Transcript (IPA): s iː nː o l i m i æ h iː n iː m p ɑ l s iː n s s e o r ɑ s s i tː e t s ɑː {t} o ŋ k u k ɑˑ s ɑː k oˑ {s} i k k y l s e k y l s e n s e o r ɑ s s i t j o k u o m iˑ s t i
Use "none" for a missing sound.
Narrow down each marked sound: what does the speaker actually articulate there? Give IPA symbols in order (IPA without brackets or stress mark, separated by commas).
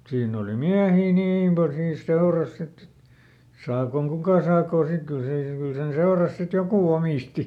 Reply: k, s